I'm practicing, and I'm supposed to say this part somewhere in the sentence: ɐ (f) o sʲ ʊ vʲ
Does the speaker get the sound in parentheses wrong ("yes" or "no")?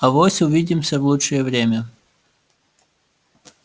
yes